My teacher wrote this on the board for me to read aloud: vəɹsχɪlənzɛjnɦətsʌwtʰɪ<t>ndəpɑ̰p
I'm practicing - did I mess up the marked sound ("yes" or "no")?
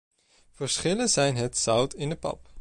yes